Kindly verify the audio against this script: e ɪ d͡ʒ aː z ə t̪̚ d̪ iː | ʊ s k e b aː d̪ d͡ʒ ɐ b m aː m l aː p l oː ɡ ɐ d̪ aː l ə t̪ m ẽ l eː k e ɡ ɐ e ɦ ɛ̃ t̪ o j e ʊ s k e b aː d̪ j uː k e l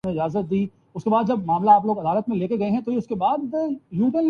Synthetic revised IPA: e ɪ d͡ʒ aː z ə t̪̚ d̪ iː | ʊ s k e b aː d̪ d͡ʒ ɐ b m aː m l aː p l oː ɡ ɐ d̪ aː l ə t̪ m ẽ l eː k e ɡ ɐ e ɦ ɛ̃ t̪ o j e ʊ s k e b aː d̪ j uː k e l